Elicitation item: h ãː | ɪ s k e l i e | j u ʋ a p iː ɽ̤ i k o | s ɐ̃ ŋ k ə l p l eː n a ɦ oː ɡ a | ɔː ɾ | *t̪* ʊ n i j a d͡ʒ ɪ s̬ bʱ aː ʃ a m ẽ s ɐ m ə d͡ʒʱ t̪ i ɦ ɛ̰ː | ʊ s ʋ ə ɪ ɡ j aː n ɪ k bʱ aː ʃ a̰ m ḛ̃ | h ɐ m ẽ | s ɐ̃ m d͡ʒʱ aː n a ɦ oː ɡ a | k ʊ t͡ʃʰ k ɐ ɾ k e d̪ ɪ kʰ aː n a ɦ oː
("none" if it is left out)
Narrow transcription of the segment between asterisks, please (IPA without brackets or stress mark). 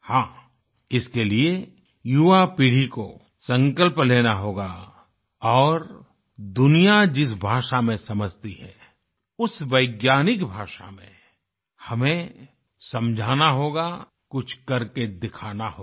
d̪